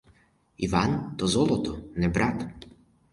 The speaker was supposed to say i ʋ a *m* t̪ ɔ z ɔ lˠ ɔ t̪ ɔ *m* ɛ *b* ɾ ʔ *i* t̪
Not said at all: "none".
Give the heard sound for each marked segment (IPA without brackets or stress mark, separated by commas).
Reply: n, n, b, a